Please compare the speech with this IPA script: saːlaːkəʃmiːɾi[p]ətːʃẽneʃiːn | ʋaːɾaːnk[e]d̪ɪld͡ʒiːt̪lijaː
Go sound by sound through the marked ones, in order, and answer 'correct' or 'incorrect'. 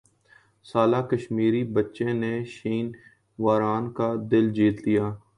incorrect: b, incorrect: a

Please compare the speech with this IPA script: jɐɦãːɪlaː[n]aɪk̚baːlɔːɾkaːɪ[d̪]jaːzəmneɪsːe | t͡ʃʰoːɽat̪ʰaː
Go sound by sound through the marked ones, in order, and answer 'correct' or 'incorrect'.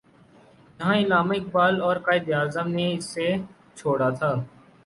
incorrect: m, correct

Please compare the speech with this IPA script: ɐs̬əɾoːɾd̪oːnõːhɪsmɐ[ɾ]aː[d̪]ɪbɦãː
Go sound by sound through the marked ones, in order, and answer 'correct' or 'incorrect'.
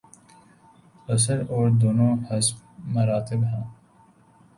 correct, incorrect: t̪

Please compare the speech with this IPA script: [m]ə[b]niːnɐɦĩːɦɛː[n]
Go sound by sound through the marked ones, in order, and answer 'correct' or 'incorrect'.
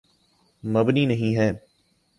correct, correct, incorrect: none

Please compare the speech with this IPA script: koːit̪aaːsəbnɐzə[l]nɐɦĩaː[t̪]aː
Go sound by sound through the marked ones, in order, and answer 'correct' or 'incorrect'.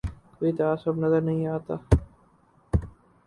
incorrect: ɾ, correct

